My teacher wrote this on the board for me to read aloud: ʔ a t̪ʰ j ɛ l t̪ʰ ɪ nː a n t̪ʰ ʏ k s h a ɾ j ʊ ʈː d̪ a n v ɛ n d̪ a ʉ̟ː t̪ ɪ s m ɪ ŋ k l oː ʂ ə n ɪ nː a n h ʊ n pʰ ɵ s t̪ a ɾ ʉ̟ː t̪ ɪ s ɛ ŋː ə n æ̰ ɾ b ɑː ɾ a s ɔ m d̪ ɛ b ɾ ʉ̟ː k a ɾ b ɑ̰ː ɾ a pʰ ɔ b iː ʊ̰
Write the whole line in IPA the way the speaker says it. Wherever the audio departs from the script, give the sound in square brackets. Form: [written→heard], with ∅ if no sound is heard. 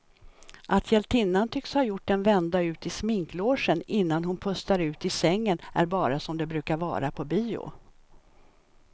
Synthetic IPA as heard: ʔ a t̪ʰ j ɛ l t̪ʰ ɪ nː a n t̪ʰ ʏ k s h a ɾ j ʊ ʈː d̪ [a→ɛ] n v ɛ n d̪ a ʉ̟ː t̪ ɪ s m ɪ ŋ k l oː ʂ ə n ɪ nː a n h ʊ n pʰ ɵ s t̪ a ɾ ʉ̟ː t̪ ɪ s ɛ ŋː ə n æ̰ ɾ b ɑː ɾ a s ɔ m d̪ ɛ b ɾ ʉ̟ː k a ɾ [b→v] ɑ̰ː ɾ a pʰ ɔ b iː ʊ̰